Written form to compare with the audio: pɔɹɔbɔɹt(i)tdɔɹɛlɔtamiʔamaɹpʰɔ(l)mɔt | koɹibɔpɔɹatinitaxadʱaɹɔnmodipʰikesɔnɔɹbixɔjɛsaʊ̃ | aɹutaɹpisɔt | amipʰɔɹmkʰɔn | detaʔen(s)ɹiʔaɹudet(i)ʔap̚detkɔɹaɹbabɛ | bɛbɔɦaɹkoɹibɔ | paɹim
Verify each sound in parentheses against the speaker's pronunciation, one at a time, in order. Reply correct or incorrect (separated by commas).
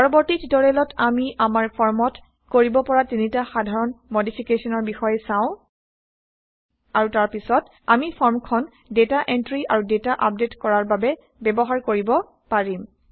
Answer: correct, incorrect, incorrect, incorrect